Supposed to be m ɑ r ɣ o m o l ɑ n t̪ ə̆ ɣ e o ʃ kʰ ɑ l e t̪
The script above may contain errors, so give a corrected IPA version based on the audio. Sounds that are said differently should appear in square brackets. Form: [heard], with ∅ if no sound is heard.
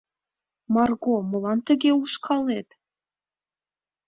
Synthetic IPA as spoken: m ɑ r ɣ o m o l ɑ n t̪ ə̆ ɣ e [u] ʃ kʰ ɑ l e t̪